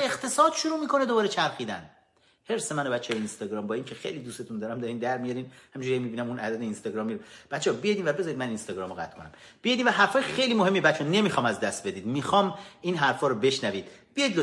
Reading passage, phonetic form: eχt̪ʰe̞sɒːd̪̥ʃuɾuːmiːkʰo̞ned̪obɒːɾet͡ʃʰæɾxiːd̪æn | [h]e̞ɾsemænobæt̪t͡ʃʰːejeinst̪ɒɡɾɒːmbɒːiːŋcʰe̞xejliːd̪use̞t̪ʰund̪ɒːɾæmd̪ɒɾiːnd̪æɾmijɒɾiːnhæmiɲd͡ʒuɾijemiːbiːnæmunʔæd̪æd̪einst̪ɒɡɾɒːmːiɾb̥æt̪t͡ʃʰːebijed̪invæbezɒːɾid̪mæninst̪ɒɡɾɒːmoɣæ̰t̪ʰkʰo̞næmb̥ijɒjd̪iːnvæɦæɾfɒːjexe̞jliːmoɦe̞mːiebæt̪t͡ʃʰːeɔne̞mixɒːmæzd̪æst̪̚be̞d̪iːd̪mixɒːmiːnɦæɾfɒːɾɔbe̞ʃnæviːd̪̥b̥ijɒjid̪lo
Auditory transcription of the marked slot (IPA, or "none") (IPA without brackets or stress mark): h